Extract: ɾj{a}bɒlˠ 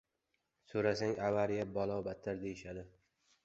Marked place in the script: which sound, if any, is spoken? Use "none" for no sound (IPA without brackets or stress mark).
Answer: a